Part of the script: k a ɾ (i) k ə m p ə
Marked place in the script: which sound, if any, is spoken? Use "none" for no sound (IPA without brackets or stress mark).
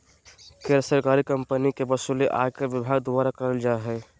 i